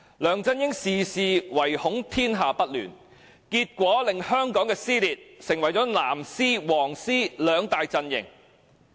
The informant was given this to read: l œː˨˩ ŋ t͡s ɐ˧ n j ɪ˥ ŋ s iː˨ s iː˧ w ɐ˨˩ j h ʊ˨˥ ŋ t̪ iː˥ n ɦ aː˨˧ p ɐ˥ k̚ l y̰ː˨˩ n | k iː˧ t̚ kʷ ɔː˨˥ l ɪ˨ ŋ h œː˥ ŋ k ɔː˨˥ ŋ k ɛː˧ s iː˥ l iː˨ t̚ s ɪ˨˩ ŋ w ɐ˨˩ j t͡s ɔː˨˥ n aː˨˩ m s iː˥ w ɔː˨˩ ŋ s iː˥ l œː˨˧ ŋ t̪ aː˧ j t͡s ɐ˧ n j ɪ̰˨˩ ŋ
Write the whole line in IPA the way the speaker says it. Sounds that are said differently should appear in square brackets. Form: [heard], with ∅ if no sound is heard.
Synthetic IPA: l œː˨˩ ŋ t͡s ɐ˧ n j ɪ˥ ŋ s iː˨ s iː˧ w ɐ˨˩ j h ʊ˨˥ ŋ [t̪ʰ] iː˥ n ɦ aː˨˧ p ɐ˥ [t̚] l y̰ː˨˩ n | k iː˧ t̚ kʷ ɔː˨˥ l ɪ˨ ŋ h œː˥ ŋ k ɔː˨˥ ŋ k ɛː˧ s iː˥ l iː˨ t̚ s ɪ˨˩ ŋ w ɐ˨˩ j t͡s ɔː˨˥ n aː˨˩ m s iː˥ w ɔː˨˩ ŋ s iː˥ l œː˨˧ ŋ t̪ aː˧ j t͡s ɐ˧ n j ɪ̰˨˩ ŋ

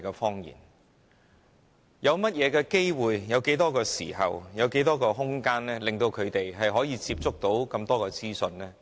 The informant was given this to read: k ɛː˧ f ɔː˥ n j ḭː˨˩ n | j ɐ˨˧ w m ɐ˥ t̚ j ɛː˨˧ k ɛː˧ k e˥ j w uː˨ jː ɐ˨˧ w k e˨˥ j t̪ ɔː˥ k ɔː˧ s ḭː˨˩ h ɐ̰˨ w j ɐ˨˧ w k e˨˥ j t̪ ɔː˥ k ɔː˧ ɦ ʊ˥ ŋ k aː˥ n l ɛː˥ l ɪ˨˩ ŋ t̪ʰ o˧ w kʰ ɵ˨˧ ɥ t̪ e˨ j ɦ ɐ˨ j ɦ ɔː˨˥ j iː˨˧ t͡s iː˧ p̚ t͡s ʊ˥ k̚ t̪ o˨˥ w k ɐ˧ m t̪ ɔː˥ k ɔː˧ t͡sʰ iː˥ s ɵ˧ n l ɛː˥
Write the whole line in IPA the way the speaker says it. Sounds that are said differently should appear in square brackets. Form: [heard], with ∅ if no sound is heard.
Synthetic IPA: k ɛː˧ f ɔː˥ [ŋ] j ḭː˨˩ n | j ɐ˨˧ w m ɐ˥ t̚ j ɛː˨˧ k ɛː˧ k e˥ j w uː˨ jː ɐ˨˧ w k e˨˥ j t̪ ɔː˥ k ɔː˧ s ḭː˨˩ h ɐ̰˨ w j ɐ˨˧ w k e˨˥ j t̪ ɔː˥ k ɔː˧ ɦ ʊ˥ ŋ k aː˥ n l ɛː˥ l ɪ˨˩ ŋ [t̪] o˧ w kʰ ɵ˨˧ ɥ t̪ e˨ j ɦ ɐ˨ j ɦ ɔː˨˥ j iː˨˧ t͡s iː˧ p̚ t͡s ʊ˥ k̚ t̪ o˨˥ w k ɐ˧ m t̪ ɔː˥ k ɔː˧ [t͡s] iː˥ s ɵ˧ n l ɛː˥

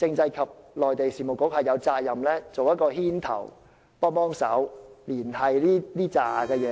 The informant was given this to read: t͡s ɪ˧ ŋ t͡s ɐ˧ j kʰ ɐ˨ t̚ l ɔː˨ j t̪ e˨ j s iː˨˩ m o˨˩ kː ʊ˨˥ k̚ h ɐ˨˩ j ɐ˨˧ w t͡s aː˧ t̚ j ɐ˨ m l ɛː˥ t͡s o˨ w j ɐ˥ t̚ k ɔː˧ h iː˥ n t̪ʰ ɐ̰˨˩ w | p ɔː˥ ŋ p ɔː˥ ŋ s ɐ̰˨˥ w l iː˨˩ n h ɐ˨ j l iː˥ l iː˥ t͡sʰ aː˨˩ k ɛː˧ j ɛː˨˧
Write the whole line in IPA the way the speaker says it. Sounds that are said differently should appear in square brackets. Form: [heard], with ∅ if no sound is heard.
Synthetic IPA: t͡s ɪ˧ ŋ t͡s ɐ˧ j kʰ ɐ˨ [p̚] l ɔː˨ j t̪ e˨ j s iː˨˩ m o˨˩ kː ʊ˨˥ k̚ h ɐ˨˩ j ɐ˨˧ w t͡s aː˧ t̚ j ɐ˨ m l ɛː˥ t͡s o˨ w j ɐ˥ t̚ k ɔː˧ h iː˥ n t̪ʰ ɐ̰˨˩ w | p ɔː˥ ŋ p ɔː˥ ŋ s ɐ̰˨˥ w l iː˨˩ n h ɐ˨ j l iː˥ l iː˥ [t͡s] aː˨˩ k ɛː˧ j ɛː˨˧

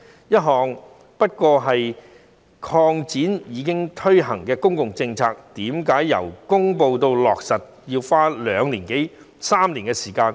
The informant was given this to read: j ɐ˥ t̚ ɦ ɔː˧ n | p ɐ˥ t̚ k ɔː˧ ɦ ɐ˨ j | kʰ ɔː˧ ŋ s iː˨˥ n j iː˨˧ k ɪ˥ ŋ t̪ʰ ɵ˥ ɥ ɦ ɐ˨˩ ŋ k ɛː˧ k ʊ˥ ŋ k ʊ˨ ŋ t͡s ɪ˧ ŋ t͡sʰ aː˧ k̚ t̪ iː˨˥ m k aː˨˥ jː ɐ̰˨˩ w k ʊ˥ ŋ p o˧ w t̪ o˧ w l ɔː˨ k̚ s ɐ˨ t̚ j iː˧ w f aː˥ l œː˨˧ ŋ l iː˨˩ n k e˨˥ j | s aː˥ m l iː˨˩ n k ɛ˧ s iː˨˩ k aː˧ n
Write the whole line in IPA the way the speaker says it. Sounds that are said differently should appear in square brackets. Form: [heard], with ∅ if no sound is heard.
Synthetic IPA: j ɐ˥ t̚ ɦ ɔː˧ [ŋ] | p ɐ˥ t̚ k ɔː˧ ɦ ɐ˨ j | kʰ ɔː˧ ŋ [t͡s] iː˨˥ n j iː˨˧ k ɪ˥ ŋ t̪ʰ ɵ˥ ɥ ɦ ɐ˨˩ ŋ k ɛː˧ k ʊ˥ ŋ k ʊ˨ ŋ t͡s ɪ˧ ŋ t͡sʰ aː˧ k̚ t̪ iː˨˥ m k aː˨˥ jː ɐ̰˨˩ w k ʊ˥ ŋ p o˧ w t̪ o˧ w l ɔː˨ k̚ s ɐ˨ t̚ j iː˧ w f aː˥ l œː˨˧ ŋ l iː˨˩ n k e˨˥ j | s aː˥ m l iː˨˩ n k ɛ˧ s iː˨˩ k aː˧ n

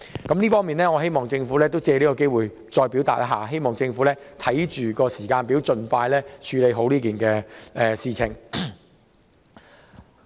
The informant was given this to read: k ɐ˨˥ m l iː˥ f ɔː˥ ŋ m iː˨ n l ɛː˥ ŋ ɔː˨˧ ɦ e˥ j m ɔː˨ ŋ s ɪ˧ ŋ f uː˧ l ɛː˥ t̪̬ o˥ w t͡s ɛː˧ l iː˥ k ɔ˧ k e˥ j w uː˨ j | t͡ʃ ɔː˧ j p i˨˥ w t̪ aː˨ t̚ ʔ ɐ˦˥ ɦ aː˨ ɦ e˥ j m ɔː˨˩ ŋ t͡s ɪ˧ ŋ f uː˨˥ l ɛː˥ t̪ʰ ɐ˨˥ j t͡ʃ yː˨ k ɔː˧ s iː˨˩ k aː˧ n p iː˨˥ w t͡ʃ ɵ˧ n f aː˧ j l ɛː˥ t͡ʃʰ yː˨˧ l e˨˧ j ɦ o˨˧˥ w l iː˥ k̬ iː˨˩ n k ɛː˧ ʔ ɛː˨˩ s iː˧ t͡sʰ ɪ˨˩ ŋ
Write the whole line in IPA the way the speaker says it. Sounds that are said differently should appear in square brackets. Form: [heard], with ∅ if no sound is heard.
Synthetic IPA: k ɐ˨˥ m l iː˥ f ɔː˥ ŋ m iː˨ n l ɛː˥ ŋ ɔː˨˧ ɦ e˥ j m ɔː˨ ŋ [t͡s] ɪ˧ ŋ f [uː˨˥] l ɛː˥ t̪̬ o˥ w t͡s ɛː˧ l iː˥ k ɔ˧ k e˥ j w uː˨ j | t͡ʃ ɔː˧ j p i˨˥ w t̪ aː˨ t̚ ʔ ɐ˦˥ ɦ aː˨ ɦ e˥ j m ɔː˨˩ ŋ t͡s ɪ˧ ŋ f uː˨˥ l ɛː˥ t̪ʰ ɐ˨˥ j t͡ʃ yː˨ k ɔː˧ s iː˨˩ k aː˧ n p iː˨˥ w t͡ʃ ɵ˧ n f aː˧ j l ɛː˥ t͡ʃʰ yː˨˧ l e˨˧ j ɦ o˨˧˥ w l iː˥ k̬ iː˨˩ n k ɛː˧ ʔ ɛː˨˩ s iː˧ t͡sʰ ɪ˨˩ ŋ

